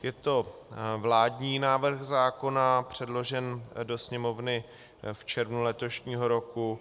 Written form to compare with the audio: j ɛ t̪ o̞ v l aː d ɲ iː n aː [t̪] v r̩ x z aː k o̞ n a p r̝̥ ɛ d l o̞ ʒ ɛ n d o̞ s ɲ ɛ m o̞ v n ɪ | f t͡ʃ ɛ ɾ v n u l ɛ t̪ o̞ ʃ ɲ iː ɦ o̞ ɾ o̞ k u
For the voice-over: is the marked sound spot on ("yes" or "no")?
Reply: no